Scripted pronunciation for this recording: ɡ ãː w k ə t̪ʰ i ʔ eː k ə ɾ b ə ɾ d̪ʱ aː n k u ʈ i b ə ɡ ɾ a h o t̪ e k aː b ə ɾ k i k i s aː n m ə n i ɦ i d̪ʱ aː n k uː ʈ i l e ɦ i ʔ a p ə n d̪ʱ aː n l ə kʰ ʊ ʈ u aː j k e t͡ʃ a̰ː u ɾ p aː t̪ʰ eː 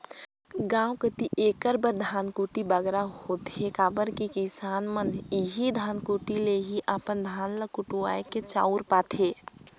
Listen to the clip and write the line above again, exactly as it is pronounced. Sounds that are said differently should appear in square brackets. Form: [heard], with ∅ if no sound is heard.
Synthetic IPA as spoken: ɡ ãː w k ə [t̪] i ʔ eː k ə ɾ b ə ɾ d̪ʱ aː n k u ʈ i b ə ɡ ɾ a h o t̪ e k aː b ə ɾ k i k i s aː n m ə n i ɦ i d̪ʱ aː n k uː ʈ i l e ɦ i ʔ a p ə n d̪ʱ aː n l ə [k] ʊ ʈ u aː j k e t͡ʃ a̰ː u ɾ p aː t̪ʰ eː